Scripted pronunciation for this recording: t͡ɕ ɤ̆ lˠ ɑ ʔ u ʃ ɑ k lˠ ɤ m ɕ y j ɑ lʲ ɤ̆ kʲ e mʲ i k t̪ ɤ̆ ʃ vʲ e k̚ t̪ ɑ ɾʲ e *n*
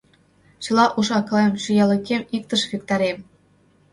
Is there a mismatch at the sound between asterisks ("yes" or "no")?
yes